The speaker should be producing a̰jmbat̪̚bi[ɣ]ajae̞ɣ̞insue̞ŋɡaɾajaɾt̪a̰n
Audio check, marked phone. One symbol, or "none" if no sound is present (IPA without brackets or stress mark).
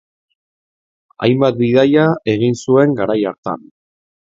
ð